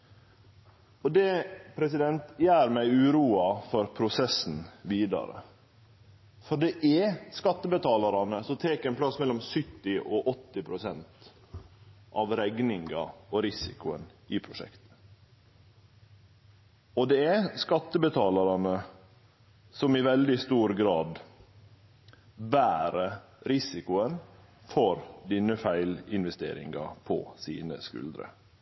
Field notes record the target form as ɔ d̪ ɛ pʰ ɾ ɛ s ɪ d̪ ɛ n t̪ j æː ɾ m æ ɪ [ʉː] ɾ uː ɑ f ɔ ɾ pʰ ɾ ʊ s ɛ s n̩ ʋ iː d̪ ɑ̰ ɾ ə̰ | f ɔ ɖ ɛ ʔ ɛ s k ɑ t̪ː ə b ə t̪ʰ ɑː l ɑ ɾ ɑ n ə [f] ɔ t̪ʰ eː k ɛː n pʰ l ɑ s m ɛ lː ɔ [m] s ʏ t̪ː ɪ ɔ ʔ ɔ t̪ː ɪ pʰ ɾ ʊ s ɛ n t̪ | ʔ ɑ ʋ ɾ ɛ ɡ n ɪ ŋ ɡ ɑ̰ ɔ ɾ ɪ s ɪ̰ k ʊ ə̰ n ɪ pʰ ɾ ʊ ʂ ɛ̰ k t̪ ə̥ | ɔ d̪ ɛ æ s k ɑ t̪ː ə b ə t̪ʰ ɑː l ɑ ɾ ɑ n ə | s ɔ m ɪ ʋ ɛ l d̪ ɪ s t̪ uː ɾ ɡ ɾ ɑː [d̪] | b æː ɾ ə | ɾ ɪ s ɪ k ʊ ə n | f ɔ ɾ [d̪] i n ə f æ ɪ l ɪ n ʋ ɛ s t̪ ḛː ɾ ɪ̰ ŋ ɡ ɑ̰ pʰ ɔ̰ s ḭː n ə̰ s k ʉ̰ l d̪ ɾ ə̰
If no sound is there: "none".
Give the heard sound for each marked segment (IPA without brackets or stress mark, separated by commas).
ʉː, s, m, d̪, d̪